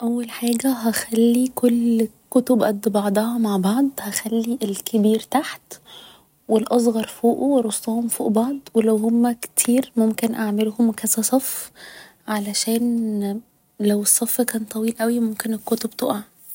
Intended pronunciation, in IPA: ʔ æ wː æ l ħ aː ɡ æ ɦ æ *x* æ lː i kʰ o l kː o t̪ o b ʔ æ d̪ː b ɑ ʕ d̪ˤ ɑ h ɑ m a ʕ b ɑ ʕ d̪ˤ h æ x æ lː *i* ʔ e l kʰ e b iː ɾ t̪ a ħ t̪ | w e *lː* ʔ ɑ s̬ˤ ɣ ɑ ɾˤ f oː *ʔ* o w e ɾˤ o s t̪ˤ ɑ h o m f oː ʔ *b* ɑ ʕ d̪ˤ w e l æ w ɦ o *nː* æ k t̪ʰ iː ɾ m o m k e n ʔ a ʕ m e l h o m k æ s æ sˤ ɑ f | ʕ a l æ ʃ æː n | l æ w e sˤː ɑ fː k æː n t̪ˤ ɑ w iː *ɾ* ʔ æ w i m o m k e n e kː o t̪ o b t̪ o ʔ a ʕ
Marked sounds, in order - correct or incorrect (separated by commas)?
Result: correct, correct, incorrect, correct, correct, incorrect, incorrect